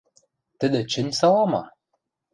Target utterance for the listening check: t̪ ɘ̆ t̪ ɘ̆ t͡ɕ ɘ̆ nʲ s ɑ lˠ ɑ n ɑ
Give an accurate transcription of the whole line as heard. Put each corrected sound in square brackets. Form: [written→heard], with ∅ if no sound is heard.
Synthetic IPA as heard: t̪ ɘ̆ [t̪→d̪] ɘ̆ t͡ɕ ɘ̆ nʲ s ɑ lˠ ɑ [n→m] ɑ

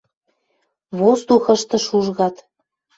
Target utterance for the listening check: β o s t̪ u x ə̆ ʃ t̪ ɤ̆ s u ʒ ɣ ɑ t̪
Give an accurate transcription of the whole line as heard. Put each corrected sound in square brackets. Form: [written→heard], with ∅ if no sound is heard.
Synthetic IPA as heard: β o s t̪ u x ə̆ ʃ t̪ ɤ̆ [s→ʃ] u ʒ ɣ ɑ t̪

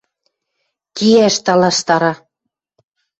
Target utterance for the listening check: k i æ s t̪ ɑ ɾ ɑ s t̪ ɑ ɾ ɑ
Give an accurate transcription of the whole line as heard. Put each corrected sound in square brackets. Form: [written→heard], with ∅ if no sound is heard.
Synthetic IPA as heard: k i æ [s→ʃ] t̪ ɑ [ɾ→l] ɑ [s→ʃ] t̪ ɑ ɾ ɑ

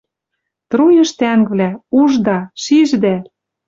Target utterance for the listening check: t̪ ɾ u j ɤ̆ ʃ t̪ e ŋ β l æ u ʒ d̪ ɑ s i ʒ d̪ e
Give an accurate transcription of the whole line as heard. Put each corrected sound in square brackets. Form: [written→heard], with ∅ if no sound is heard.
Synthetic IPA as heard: t̪ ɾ u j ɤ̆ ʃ t̪ [e→æ] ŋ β l æ u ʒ d̪ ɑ [s→ʃ] i ʒ d̪ [e→æ]

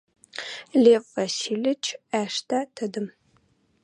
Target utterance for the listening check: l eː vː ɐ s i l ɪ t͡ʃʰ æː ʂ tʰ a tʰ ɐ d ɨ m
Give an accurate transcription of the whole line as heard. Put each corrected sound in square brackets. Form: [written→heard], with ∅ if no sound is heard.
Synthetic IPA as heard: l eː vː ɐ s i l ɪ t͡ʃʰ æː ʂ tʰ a tʰ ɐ d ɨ m

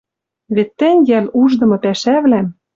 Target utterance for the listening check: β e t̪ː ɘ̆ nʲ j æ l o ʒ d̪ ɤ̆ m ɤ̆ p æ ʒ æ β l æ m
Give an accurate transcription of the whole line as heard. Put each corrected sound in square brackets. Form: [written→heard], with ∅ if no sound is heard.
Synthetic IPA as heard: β e t̪ː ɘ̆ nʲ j æ l [o→u] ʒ d̪ ɤ̆ m ɤ̆ p æ [ʒ→ʃ] æ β l æ m

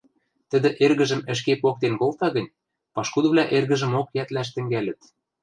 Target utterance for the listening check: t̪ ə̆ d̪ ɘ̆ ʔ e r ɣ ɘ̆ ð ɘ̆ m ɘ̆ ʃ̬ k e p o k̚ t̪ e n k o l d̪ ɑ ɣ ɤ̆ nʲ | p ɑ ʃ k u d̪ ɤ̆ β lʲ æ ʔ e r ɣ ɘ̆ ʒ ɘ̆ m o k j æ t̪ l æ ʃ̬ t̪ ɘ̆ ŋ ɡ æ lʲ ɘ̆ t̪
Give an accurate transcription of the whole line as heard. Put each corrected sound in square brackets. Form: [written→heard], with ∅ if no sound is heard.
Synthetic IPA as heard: t̪ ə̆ d̪ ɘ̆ ʔ e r ɣ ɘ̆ [ð→ʒ] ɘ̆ m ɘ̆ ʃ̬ k e p o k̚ t̪ e n k o l [d̪→t̪] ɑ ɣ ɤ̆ nʲ | p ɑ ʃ k u d̪ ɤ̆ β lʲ æ ʔ e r ɣ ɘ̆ ʒ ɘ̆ m o k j æ t̪ l æ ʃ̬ t̪ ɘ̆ ŋ ɡ æ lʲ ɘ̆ t̪

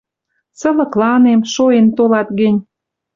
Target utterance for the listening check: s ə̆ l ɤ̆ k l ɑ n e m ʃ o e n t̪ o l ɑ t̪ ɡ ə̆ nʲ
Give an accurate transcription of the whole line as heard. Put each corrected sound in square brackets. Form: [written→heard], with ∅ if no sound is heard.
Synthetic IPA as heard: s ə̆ l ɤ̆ k l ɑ n e m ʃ o e n t̪ o l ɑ t̪ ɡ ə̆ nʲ

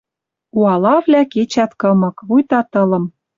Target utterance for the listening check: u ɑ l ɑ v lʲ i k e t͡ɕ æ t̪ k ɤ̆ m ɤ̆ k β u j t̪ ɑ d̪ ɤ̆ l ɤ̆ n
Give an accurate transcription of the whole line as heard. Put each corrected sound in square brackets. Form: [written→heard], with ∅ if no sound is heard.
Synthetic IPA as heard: u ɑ l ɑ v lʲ [i→æ] k e t͡ɕ æ t̪ k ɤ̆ m ɤ̆ k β u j t̪ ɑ [d̪→t̪] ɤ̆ l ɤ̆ [n→m]

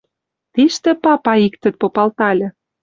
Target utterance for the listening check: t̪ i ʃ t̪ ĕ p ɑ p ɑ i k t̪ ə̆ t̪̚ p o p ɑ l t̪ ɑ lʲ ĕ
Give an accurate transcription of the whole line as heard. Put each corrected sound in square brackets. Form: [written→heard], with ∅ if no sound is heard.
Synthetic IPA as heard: t̪ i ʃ t̪ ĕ p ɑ p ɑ i k t̪ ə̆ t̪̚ p o p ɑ l t̪ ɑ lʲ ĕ

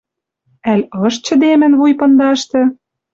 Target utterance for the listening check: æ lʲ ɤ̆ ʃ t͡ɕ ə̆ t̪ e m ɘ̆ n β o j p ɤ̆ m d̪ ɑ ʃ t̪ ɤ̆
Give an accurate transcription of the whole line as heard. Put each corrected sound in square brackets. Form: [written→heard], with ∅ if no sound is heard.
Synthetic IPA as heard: æ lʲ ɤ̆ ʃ t͡ɕ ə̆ [t̪→d̪] e m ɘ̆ n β [o→u] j p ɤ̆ [m→n] d̪ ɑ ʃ t̪ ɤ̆

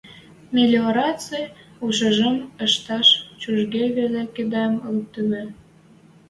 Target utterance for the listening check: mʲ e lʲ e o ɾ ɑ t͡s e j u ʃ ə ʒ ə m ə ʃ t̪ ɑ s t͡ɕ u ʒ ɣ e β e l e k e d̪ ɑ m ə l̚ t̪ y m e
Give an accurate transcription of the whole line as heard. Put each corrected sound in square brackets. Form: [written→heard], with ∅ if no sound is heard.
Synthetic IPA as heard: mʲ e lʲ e o ɾ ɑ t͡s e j u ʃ ə ʒ ə m ə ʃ t̪ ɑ [s→ʃ] t͡ɕ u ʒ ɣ e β e l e k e d̪ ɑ m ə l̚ t̪ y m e

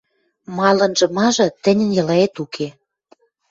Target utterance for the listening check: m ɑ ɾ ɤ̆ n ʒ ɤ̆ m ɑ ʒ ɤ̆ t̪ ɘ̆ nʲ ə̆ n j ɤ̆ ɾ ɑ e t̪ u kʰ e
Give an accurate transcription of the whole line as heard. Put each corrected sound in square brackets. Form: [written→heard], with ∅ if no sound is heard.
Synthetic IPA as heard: m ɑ [ɾ→l] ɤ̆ n ʒ ɤ̆ m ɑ ʒ ɤ̆ t̪ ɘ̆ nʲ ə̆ n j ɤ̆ [ɾ→l] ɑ e t̪ u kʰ e

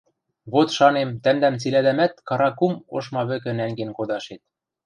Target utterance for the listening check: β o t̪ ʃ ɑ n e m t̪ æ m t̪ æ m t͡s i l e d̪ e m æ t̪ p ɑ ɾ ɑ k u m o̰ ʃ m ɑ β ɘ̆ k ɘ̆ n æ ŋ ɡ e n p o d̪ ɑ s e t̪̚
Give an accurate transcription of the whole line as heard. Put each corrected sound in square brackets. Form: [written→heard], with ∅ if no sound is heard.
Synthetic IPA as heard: β o t̪ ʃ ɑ n e m t̪ æ m [t̪→d̪] æ m t͡s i l [e→æ] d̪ [e→æ] m æ t̪ [p→k] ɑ ɾ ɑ k u m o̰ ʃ m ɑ β ɘ̆ k ɘ̆ n æ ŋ ɡ e n [p→k] o d̪ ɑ [s→ʃ] e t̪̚

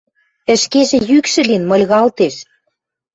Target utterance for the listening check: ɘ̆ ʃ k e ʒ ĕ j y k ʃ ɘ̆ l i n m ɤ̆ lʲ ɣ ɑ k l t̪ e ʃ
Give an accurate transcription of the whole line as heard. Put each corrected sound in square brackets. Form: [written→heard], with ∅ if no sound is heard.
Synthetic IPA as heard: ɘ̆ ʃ k e ʒ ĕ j y k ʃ ɘ̆ l i n m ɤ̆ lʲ ɣ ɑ [k→∅] l t̪ e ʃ

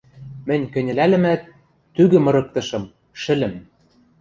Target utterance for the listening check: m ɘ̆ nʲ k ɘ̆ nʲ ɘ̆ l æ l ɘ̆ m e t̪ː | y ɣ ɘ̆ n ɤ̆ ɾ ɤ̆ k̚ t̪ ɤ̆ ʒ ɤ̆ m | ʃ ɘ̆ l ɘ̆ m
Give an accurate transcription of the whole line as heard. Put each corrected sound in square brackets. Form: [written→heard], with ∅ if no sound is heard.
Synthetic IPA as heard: m ɘ̆ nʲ k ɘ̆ nʲ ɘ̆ l æ l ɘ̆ m [e→æ] t̪ː | y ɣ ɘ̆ [n→m] ɤ̆ ɾ ɤ̆ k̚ t̪ ɤ̆ [ʒ→ʃ] ɤ̆ m | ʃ ɘ̆ l ɘ̆ m

